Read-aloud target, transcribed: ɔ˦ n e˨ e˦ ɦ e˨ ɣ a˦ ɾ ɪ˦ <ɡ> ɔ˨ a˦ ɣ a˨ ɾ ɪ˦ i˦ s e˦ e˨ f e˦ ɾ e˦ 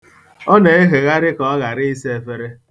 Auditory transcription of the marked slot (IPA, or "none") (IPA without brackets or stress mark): k